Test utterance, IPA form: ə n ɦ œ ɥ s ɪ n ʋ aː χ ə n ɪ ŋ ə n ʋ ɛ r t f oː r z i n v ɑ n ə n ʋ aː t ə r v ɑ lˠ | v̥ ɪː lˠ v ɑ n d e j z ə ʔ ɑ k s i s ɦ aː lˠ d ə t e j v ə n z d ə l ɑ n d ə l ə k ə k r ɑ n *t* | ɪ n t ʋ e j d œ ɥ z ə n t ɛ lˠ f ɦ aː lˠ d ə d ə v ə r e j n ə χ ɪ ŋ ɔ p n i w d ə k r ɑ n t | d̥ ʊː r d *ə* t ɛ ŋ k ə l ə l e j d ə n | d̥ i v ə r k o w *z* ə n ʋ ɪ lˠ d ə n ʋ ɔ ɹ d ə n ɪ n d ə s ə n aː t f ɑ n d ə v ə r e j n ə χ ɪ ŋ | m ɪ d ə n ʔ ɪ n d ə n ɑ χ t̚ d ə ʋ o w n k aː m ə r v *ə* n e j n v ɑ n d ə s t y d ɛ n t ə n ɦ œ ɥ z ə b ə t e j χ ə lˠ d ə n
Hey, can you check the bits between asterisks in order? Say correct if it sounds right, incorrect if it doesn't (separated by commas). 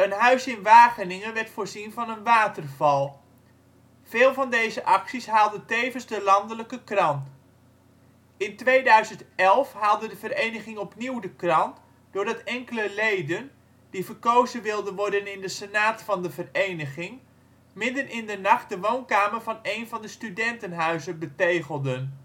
correct, incorrect, correct, incorrect